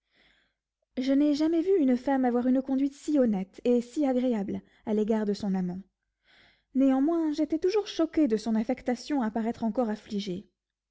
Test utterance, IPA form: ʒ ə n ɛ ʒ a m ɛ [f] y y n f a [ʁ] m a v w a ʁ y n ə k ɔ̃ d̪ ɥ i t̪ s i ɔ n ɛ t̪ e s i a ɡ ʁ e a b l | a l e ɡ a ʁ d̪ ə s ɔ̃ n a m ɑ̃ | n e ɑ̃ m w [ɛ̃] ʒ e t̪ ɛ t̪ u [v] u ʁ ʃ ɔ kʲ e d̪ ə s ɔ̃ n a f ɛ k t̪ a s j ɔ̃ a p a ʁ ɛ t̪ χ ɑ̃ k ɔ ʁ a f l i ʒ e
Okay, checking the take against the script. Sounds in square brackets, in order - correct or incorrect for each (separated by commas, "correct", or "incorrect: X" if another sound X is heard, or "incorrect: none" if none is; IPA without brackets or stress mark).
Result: incorrect: v, incorrect: none, correct, incorrect: ʒ